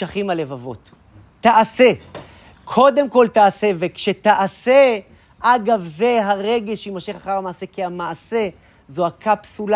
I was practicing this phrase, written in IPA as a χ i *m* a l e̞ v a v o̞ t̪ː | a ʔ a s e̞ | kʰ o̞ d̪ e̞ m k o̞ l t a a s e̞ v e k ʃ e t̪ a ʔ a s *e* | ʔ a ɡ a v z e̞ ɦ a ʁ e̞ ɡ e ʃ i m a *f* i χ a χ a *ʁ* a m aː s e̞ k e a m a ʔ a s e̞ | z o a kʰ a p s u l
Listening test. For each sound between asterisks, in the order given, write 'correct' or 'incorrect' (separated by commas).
correct, correct, incorrect, correct